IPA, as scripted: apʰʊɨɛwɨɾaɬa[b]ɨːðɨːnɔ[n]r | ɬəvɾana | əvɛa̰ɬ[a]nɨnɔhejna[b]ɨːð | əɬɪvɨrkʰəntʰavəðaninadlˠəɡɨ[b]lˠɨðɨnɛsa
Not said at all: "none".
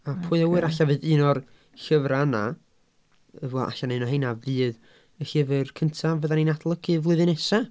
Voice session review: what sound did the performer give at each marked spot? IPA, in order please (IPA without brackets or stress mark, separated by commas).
v, none, a, v, v